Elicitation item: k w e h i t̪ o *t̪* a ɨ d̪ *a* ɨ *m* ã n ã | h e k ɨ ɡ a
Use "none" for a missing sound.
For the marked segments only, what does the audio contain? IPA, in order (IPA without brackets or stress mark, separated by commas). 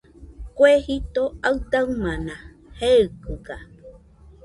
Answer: none, a, m